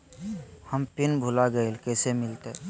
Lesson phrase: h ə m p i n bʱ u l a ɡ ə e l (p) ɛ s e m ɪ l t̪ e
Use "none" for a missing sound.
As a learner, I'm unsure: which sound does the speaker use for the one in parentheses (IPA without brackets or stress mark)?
k